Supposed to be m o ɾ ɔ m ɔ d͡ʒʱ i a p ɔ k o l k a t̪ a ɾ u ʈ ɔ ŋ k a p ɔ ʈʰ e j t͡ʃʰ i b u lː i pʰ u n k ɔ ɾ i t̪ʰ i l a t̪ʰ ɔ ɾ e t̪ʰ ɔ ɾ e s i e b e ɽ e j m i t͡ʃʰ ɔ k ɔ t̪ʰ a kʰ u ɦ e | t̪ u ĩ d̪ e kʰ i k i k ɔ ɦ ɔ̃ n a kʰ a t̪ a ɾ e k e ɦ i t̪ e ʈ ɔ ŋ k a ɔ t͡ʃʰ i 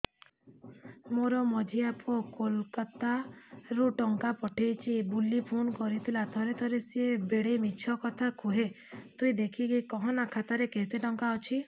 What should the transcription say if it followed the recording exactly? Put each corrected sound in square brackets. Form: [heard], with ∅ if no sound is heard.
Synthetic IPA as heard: m o ɾ ɔ m ɔ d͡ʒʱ i a p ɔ k o l k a t̪ a ɾ u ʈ ɔ ŋ k a p ɔ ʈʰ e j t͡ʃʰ i b u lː i pʰ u n k ɔ ɾ i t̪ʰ i l a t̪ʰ ɔ ɾ e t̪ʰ ɔ ɾ e s i e b e ɽ e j m i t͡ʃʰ ɔ k ɔ t̪ʰ a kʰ u ɦ e | t̪ u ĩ d̪ e kʰ i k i k ɔ ɦ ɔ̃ n a kʰ a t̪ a ɾ e k e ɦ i t̪ e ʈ ɔ ŋ k a ɔ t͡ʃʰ i